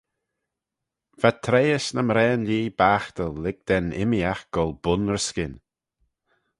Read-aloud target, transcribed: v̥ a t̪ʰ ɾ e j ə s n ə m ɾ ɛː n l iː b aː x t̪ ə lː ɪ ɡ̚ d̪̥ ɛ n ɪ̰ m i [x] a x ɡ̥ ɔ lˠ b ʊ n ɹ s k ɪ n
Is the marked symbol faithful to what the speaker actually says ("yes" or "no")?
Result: no